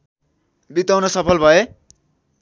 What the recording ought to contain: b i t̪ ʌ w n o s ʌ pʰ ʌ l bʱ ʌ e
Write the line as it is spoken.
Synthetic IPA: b i t̪ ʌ w n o s ʌ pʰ ʌ l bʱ ʌ e